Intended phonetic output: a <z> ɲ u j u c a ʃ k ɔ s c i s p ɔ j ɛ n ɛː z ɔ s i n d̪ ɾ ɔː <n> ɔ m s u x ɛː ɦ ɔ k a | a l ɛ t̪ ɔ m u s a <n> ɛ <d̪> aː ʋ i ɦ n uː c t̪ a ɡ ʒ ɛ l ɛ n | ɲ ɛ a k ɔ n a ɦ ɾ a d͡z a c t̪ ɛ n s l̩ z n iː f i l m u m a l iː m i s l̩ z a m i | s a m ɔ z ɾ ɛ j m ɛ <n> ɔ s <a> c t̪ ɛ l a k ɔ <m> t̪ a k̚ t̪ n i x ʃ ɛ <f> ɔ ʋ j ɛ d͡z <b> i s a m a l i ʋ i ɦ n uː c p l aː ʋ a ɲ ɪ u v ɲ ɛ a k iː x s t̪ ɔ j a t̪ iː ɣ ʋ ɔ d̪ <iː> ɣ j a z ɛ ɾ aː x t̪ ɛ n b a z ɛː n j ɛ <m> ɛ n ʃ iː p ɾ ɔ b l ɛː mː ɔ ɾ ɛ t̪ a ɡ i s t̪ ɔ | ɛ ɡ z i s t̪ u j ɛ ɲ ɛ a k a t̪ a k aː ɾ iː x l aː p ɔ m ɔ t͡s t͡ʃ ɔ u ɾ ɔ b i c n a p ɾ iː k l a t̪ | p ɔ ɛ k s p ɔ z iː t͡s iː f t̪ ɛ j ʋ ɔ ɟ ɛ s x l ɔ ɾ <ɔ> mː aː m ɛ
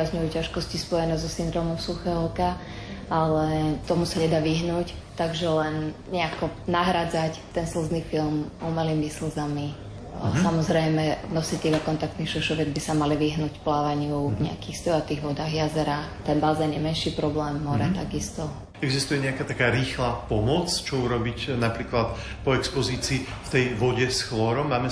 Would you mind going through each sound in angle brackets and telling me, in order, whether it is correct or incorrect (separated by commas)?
correct, incorrect, incorrect, correct, correct, incorrect, incorrect, incorrect, correct, incorrect, correct, correct